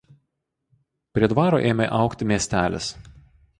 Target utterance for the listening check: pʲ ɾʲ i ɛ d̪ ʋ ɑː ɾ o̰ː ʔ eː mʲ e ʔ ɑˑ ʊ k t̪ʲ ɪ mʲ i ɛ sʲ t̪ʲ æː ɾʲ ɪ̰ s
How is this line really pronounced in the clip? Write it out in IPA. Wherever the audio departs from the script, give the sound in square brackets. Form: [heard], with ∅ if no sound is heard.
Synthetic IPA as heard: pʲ ɾʲ i ɛ d̪ ʋ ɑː ɾ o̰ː ʔ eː mʲ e ʔ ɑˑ ʊ k t̪ʲ ɪ mʲ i ɛ sʲ t̪ʲ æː [lʲ] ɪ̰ s